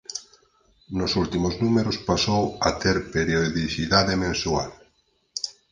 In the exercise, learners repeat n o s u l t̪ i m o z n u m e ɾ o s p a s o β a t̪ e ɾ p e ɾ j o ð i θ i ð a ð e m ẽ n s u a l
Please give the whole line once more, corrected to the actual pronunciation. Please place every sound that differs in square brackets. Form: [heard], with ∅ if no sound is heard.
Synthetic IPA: n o s u l t̪ i m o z n u m e ɾ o s p a s o [w] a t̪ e ɾ p e ɾ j o ð i θ i ð a ð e m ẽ n s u a l